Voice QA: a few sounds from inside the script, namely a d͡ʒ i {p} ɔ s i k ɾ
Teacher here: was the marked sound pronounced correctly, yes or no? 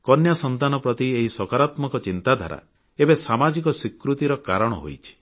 no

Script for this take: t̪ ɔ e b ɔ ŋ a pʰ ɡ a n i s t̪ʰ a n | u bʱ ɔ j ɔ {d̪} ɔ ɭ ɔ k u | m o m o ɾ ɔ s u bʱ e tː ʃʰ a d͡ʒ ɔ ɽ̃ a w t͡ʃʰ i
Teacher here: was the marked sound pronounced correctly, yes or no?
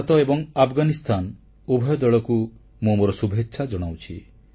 yes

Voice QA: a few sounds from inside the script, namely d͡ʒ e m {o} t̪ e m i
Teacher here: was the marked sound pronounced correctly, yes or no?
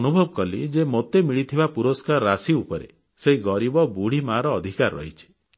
yes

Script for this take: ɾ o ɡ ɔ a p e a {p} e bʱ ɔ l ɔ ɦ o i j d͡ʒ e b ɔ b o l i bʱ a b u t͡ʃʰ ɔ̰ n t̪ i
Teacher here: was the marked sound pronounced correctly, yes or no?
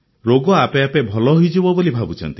yes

